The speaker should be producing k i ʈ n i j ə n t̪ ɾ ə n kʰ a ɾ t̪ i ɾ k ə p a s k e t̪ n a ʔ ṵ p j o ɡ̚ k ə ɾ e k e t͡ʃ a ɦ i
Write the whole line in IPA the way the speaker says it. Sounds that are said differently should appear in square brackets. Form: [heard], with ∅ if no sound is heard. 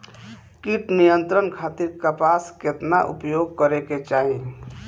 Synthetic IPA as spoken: k i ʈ n i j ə n t̪ ɾ ə n kʰ a [∅] t̪ i ɾ k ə p a s k e t̪ n a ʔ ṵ p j o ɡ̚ k ə ɾ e k e t͡ʃ a ɦ i